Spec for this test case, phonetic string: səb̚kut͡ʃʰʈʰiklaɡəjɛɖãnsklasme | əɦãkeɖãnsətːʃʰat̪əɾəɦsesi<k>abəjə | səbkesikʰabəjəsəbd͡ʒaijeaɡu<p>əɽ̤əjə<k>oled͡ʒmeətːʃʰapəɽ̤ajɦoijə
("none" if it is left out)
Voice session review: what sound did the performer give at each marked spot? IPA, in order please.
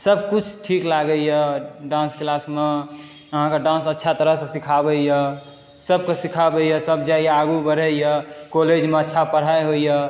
kʰ, b, k

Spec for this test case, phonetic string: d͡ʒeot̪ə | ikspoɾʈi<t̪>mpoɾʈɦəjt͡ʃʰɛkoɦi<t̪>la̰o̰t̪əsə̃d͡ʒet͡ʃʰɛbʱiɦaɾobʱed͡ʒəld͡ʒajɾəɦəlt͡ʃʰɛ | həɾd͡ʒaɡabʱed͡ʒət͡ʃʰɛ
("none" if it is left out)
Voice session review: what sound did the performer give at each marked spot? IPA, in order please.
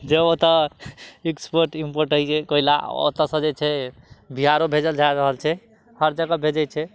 none, none

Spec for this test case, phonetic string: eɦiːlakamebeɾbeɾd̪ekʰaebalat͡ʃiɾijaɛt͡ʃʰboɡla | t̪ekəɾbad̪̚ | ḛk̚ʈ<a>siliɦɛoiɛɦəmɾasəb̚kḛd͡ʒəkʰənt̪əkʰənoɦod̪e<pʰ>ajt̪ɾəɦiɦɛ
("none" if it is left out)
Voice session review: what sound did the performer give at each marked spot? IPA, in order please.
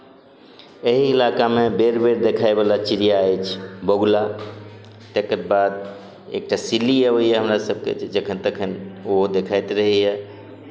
a, kʰ

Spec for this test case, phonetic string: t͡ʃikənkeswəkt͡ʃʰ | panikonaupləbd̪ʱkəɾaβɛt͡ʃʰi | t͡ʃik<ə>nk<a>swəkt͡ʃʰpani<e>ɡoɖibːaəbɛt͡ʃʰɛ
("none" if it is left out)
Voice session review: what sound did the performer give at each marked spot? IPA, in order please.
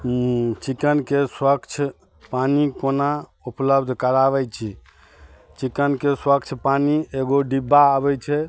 ə, e, e

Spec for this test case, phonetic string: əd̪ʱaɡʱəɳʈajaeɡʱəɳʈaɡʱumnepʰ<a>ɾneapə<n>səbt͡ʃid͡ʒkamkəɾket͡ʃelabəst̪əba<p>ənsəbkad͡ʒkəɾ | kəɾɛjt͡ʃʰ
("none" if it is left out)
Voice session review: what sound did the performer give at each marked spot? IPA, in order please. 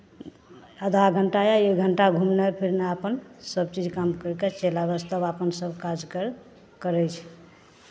i, n, p

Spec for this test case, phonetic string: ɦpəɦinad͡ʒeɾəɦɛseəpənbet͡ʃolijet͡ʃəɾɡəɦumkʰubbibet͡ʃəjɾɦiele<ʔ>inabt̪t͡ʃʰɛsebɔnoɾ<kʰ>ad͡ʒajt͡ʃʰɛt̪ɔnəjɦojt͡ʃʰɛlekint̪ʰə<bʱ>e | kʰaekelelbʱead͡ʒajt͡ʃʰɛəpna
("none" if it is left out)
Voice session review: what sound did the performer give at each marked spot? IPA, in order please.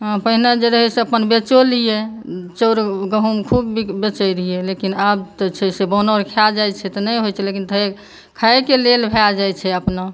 k, kʰ, none

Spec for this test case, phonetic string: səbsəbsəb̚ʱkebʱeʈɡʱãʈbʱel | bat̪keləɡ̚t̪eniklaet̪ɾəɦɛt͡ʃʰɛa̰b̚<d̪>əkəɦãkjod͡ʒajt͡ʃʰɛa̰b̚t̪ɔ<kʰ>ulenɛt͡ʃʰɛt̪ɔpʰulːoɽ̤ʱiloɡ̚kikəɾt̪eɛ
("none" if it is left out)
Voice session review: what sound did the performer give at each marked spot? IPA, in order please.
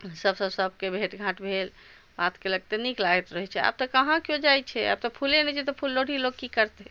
t̪, pʰ

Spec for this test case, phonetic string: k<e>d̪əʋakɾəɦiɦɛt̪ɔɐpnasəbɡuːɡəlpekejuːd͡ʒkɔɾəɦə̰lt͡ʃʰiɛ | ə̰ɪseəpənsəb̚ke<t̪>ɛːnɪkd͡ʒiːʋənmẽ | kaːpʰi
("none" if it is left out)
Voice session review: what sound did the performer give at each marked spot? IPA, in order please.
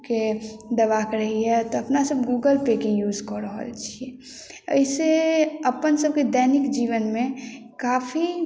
e, d̪

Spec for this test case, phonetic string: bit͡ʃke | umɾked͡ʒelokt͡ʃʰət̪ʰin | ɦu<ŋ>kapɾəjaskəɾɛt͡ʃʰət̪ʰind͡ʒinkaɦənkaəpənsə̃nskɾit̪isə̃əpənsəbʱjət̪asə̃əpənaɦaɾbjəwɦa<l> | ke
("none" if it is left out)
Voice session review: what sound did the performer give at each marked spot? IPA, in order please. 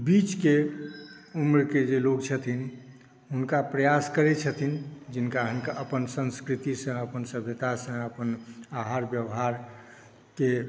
n, ɾ

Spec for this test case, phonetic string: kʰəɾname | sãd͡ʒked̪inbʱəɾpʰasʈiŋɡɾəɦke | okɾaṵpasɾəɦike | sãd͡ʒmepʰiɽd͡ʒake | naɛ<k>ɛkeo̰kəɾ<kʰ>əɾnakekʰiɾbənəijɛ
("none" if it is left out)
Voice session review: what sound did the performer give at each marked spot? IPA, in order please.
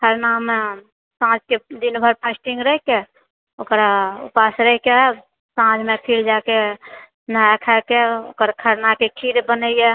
kʰ, kʰ

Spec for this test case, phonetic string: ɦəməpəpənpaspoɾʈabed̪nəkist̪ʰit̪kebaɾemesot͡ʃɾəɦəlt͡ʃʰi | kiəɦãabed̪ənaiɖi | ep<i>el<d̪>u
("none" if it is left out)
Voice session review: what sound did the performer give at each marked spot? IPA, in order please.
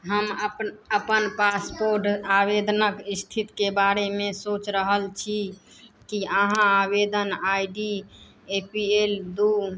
i, d̪

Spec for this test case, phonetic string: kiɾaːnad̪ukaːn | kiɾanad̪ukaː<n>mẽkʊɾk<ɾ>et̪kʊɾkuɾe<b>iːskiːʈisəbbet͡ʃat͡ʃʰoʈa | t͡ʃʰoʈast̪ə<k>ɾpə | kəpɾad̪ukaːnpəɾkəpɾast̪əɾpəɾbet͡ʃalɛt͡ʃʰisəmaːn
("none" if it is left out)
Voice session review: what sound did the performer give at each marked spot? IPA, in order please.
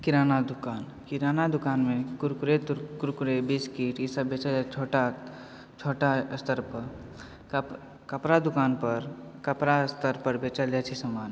n, ɾ, b, none

